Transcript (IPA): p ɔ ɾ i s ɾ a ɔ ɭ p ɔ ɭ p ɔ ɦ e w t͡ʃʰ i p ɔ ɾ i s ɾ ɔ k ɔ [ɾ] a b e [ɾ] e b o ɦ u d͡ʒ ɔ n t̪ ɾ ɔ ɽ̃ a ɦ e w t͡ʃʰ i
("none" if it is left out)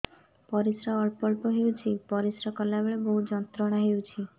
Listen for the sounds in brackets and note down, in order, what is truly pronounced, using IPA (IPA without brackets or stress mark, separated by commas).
l, ɭ